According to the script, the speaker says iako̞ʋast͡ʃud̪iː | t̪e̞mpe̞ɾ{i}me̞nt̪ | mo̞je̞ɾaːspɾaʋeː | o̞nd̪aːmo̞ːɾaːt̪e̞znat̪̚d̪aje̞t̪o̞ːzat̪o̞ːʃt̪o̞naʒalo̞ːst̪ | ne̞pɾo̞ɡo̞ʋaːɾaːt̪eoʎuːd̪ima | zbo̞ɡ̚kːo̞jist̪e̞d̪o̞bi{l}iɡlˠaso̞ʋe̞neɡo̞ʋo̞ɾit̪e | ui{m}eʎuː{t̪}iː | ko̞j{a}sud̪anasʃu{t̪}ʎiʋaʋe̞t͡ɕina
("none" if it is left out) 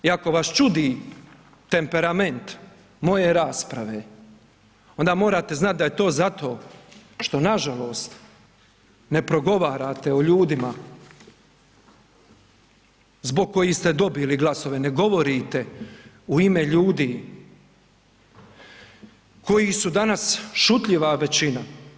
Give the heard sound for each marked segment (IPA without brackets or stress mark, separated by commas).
a, l, m, d̪, i, t̪